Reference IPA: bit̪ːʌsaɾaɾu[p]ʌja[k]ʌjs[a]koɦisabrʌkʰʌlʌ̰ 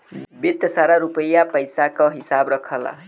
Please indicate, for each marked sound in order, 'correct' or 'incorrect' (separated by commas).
correct, incorrect, correct